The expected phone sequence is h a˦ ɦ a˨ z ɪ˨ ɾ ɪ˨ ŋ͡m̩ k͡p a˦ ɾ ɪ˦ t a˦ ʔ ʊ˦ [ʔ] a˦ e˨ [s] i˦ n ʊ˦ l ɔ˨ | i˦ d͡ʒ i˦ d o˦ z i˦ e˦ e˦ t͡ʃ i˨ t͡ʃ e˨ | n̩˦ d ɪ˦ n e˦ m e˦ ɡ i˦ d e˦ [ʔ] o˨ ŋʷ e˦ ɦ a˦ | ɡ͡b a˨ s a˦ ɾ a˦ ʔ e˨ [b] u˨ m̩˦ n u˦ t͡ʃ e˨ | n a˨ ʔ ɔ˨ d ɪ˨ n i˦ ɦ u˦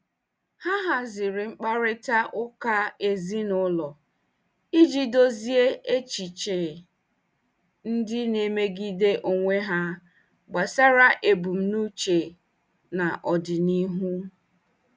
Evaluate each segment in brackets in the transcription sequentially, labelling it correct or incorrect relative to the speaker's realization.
incorrect: k, incorrect: z, correct, correct

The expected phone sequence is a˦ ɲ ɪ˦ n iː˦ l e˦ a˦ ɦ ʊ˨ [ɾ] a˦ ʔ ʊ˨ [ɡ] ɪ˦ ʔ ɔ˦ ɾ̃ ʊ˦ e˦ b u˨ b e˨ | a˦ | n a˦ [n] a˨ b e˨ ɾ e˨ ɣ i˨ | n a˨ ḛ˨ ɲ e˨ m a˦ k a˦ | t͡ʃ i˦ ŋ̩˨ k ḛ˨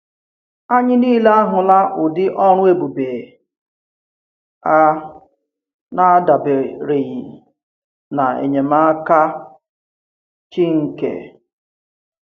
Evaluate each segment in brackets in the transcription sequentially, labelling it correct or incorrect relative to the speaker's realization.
incorrect: l, incorrect: d, incorrect: d

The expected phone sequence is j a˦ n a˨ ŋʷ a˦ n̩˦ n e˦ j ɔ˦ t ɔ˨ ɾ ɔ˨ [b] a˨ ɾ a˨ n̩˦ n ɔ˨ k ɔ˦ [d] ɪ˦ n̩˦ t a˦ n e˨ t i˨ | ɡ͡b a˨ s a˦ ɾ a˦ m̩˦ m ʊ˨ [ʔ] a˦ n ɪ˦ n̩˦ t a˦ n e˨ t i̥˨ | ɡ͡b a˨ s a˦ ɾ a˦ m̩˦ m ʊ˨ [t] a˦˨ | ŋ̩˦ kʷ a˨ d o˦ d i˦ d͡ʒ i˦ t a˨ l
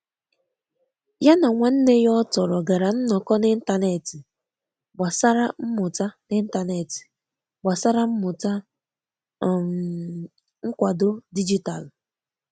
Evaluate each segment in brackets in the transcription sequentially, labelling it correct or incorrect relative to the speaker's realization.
incorrect: ɡ, incorrect: n, incorrect: t, correct

